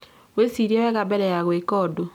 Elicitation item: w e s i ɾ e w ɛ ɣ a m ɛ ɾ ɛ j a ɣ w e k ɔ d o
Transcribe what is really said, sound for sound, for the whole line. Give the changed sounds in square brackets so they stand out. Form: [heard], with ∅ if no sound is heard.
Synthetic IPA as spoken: w e s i ɾ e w ɛ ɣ a [b] ɛ ɾ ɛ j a ɣ w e k ɔ d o